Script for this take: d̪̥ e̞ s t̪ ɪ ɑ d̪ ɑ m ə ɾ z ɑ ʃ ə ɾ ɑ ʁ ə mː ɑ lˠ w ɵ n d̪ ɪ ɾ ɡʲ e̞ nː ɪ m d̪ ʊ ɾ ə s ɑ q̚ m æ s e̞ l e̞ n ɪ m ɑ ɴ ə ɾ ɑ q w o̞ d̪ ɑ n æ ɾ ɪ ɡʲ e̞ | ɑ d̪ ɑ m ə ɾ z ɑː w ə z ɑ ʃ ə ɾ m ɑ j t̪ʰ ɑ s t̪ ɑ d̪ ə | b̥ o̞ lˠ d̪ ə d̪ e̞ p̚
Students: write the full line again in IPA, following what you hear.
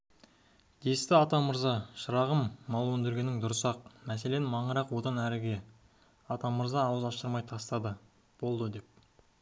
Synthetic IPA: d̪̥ e̞ s t̪ ɪ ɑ t̪ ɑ m ə ɾ z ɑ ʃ ə ɾ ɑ ʁ ə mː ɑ lˠ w ɵ n d̪ ɪ ɾ ɡʲ e̞ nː ɪ ŋ d̪ ʊ ɾ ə s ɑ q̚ m æ s e̞ l e̞ n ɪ m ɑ ɴ ə ɾ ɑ q w o̞ d̪ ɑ n æ ɾ ɪ ɡʲ e̞ | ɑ t̪ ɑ m ə ɾ z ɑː w ə z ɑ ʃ ə ɾ m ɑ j t̪ʰ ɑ s t̪ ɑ d̪ ə | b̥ o̞ lˠ d̪ ə d̪ e̞ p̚